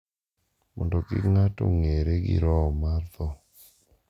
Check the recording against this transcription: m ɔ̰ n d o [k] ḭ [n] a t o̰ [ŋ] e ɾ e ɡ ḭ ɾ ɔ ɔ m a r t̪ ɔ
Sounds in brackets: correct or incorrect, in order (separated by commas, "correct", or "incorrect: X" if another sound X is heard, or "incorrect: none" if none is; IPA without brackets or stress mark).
correct, incorrect: ŋ, correct